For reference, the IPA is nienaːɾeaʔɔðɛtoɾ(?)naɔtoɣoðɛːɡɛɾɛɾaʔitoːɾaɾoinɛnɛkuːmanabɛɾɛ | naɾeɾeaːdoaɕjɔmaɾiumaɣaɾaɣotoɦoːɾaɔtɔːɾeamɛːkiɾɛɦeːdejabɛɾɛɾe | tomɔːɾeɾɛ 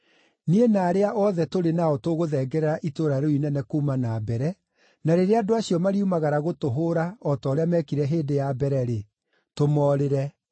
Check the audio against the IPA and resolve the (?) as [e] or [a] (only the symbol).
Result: e